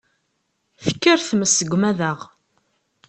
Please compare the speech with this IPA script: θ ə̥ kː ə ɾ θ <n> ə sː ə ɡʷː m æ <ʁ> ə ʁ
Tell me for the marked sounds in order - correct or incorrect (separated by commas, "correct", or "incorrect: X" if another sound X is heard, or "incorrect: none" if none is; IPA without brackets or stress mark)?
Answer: incorrect: m, incorrect: ð